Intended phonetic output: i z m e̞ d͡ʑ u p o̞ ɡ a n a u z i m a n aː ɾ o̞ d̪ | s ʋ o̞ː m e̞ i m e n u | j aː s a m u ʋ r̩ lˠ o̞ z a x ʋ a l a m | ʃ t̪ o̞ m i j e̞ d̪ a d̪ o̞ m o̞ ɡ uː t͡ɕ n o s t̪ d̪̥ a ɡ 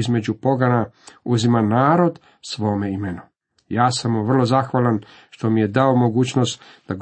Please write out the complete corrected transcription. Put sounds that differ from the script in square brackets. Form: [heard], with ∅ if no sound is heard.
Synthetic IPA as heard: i z m e̞ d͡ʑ u p o̞ ɡ a n a u z i m a n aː ɾ o̞ d̪ | s ʋ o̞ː m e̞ i m e n u | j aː s a m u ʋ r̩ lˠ o̞ z a x ʋ a l a [n] | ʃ t̪ o̞ m i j e̞ d̪ a [∅] o̞ m o̞ ɡ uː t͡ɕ n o s t̪ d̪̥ a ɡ